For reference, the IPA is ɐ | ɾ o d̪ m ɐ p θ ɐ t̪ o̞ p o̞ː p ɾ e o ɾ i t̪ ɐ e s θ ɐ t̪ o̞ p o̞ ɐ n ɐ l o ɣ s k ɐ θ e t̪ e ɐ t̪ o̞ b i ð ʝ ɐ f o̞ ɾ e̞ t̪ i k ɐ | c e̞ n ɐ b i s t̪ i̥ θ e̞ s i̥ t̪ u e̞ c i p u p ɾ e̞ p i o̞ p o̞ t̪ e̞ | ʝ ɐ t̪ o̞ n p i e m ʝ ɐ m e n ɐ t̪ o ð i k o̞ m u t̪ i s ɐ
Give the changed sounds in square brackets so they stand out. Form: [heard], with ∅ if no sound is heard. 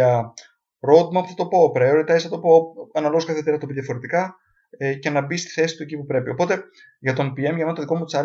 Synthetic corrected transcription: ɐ | ɾ o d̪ m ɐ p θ ɐ t̪ o̞ p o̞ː p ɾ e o ɾ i t̪ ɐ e s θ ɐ t̪ o̞ p o̞ ɐ n ɐ l o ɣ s k ɐ θ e t̪ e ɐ t̪ o̞ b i ð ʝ ɐ f o̞ ɾ e̞ t̪ i k ɐ | c e̞ n ɐ b i s t̪ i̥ θ e̞ s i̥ t̪ u e̞ c i p u p ɾ e̞ p i o̞ p o̞ t̪ e̞ | ʝ ɐ t̪ o̞ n p i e m ʝ ɐ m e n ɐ t̪ o ð i k o̞ m u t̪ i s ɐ